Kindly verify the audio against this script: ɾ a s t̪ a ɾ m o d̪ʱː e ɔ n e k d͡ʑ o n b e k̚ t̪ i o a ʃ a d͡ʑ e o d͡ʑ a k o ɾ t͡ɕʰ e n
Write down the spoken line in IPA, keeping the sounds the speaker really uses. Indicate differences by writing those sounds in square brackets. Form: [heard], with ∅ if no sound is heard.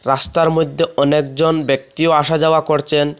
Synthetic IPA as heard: ɾ a s t̪ a ɾ m o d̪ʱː e ɔ n e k d͡ʑ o n b e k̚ t̪ i o a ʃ a d͡ʑ [a] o [∅] a k o ɾ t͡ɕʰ e n